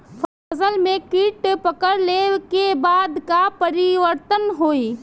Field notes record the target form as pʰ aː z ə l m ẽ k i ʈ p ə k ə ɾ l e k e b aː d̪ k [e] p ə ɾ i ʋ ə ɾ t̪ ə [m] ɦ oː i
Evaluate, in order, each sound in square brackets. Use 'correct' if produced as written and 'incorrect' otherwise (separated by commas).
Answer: incorrect, incorrect